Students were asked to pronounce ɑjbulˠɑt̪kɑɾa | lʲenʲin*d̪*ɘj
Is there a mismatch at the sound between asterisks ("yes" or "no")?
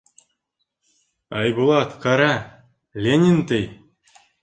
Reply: yes